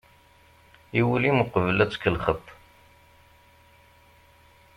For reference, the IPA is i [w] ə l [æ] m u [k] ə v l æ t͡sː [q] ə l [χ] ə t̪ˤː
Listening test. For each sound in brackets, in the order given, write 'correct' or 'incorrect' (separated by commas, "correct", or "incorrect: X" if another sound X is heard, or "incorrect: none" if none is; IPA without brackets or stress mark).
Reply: correct, incorrect: i, incorrect: q, incorrect: k, correct